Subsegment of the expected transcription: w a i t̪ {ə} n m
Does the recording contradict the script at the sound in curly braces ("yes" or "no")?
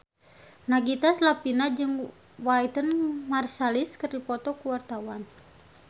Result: no